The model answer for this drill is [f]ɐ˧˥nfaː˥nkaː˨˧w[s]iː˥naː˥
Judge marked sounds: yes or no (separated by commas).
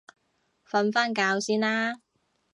yes, yes